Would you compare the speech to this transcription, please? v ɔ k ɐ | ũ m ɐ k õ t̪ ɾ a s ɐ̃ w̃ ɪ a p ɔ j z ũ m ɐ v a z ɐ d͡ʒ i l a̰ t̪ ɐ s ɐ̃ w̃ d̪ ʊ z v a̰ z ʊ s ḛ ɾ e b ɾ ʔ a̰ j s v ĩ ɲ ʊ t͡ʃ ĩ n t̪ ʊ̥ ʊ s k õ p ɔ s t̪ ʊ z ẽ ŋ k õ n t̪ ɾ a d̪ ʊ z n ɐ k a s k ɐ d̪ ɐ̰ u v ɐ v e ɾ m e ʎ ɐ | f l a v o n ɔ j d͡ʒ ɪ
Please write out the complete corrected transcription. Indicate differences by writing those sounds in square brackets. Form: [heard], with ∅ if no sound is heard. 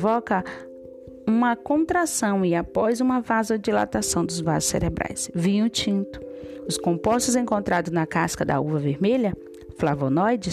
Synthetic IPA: v ɔ k ɐ | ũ m ɐ k õ t̪ ɾ a s ɐ̃ w̃ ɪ a p ɔ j z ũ m ɐ v a z ɐ d͡ʒ i l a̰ t̪ [a] s ɐ̃ w̃ d̪ ʊ z v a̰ z ʊ s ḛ ɾ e b ɾ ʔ a̰ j s v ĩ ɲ ʊ t͡ʃ ĩ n t̪ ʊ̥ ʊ s k õ p ɔ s t̪ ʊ z ẽ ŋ k õ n t̪ ɾ a d̪ ʊ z n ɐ k a s k ɐ d̪ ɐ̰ u v ɐ v e ɾ m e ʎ ɐ | f l a v o n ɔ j d͡ʒ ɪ